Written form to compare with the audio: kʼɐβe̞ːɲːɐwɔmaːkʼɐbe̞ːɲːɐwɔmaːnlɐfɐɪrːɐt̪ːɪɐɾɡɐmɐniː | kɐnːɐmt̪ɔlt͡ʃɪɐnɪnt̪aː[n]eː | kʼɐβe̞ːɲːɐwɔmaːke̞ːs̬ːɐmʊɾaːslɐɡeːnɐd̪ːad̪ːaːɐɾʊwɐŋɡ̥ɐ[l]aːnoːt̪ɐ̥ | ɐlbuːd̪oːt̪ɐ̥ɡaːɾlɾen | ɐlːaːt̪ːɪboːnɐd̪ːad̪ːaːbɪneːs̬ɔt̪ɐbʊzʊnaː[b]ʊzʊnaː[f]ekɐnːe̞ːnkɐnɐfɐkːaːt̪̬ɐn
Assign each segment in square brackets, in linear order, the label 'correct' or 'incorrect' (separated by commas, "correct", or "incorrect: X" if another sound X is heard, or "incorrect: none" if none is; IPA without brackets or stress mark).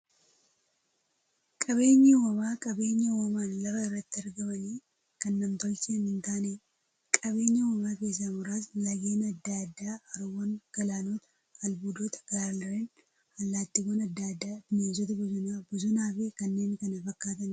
correct, correct, correct, correct